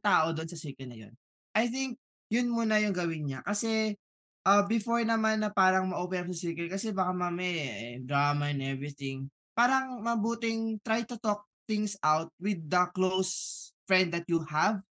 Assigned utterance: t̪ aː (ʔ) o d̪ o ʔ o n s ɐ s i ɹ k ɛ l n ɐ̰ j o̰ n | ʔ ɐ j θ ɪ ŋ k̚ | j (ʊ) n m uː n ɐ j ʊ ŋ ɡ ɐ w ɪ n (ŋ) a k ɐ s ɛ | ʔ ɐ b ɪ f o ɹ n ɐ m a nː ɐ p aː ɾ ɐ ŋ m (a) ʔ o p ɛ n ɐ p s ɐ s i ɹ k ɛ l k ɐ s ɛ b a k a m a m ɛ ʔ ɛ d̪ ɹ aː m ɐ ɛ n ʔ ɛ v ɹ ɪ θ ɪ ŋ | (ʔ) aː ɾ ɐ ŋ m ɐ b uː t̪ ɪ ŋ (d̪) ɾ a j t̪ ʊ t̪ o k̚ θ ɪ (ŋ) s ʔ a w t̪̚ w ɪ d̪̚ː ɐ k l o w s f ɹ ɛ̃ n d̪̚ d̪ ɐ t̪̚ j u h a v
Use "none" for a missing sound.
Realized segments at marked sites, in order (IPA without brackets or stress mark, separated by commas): ʔ, ʊ, ɲ, ɐ, p, t̪, ŋ